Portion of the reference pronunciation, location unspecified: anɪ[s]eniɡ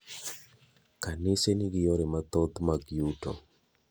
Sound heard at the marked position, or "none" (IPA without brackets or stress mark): s